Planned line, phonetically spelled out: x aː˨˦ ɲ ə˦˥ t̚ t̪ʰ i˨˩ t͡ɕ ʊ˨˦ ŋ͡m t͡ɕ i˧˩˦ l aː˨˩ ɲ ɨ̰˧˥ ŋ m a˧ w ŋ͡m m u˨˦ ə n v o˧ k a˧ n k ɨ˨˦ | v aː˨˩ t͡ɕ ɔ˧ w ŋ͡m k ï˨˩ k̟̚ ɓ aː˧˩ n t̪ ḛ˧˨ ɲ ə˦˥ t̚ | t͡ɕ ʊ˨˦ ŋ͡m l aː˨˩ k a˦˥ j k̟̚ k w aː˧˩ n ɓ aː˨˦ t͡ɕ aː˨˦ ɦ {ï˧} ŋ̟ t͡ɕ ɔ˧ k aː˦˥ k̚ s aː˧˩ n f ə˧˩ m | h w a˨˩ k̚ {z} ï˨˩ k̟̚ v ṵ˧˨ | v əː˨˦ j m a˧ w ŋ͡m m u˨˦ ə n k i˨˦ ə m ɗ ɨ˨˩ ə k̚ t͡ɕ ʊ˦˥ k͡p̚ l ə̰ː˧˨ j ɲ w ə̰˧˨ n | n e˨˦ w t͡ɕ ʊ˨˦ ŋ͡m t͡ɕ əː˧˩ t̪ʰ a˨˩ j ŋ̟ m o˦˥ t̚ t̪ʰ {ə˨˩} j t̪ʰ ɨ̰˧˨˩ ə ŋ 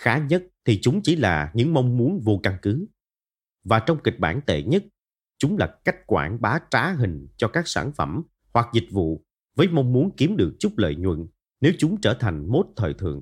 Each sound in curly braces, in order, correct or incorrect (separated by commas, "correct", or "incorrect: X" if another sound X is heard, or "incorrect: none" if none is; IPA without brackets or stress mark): incorrect: ï˨˩, correct, incorrect: əː˨˩